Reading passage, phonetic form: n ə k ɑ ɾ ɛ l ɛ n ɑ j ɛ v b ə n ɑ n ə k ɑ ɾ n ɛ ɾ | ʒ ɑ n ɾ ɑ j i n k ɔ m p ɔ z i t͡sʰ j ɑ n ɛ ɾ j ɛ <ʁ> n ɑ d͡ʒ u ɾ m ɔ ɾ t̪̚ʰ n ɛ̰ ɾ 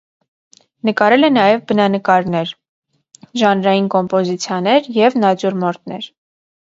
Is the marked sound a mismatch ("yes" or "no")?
yes